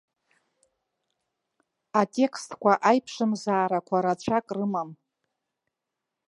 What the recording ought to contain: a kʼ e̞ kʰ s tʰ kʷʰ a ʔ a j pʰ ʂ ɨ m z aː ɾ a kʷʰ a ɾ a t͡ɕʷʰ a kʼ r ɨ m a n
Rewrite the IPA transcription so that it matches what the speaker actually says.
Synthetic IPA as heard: a tʼ e̞ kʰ s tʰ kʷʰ a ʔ a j pʰ ʂ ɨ m z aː ɾ a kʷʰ a ɾ a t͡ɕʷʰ a kʼ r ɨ m a m